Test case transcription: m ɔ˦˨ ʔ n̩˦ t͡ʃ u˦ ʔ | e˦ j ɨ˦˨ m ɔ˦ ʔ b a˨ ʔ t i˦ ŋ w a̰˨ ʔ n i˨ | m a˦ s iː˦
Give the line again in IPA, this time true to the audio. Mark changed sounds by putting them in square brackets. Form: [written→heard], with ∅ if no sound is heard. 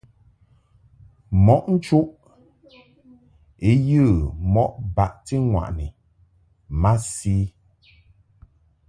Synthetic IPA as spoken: m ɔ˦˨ ʔ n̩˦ t͡ʃ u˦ ʔ | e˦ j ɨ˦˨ m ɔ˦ ʔ b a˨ ʔ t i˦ ŋ w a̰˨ ʔ n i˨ | m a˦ s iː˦